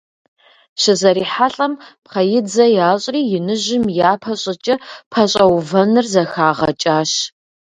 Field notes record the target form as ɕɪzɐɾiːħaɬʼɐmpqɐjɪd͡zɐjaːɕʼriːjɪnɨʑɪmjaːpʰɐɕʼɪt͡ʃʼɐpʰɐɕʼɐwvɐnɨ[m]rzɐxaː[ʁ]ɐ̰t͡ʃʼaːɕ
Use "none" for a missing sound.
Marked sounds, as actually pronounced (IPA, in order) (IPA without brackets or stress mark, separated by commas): none, ʁ